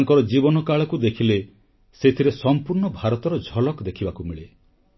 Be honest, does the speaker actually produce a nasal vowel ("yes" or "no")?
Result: no